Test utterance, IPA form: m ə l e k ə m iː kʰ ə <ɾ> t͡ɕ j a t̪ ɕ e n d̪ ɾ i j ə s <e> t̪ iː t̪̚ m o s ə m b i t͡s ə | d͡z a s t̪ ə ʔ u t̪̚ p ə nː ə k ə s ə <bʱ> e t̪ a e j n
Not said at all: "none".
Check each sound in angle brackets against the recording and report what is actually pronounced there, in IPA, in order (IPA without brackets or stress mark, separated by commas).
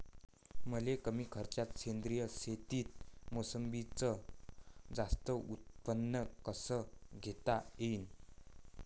ɾ, e, ɡʱ